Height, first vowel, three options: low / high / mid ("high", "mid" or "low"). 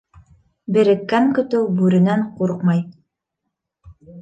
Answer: mid